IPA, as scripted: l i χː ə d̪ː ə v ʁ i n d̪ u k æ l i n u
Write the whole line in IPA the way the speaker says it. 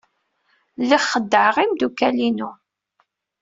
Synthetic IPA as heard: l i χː ə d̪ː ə ʕ ʁ i m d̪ u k æ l i n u